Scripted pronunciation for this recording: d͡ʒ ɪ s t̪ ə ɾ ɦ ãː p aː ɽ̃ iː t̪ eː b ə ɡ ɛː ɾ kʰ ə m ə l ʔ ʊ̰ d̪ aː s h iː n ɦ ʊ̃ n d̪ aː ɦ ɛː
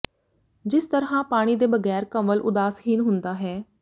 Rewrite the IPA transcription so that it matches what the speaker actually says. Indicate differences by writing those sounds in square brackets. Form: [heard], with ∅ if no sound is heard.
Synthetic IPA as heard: d͡ʒ ɪ s t̪ ə ɾ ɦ ãː p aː ɽ̃ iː [d̪] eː b ə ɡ ɛː ɾ [k] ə m ə l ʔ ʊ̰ d̪ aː s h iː n ɦ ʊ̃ n d̪ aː ɦ ɛː